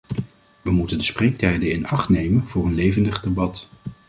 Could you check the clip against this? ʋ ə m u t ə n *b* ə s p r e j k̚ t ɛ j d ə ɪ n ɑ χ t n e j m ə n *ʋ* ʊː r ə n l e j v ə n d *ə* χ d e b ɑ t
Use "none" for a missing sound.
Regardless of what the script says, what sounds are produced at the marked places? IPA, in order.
d, v, ə

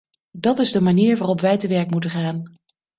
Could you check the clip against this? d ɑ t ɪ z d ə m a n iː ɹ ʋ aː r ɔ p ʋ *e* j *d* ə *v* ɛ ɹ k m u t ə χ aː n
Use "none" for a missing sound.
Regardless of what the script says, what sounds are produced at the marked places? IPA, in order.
ɛ, t, ʋ

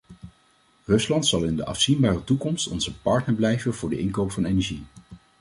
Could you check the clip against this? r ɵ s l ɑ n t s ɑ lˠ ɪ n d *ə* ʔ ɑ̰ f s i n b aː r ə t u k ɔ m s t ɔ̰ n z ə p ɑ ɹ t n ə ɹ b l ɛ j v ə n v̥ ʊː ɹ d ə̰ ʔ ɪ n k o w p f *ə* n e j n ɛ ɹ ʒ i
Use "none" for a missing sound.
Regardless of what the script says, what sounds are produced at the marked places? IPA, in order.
ə, ɑ

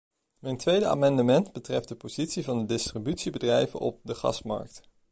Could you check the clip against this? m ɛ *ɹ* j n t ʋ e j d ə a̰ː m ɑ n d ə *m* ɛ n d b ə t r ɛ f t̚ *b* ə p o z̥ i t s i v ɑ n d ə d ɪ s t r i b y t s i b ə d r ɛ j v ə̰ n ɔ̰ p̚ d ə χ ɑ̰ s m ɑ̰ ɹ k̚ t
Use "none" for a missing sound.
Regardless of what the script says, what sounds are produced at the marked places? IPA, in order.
none, m, d

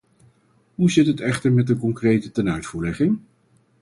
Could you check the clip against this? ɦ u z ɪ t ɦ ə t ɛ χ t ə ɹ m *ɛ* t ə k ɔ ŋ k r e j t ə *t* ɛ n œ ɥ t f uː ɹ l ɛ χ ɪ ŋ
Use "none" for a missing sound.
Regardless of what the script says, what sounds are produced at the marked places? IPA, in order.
ɛ, t

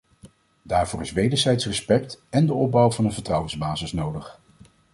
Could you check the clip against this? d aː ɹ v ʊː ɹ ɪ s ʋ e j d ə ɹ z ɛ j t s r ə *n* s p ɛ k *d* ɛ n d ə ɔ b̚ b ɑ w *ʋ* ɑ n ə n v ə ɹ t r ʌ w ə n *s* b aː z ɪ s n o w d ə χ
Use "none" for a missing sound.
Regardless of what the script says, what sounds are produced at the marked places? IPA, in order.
none, t, v, z

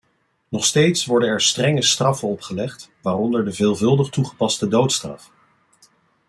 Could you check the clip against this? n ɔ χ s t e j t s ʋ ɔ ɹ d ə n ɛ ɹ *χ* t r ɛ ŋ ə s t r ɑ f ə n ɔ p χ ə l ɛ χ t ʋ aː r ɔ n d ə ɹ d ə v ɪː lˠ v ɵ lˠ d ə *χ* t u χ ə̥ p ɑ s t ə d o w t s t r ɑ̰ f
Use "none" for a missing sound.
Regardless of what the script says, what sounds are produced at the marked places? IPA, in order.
s, χ

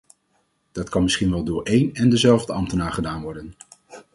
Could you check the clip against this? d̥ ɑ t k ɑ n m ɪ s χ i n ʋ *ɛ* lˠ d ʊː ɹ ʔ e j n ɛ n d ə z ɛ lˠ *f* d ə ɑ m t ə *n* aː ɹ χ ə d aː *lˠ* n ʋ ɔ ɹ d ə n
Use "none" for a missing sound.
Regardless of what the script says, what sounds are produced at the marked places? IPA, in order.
ɛ, v, n, none

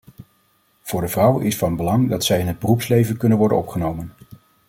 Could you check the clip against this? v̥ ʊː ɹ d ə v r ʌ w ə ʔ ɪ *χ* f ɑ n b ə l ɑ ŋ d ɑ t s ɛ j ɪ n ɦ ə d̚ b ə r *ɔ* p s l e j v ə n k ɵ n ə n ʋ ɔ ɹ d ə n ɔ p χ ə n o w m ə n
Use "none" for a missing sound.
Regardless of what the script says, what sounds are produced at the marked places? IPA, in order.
s, u

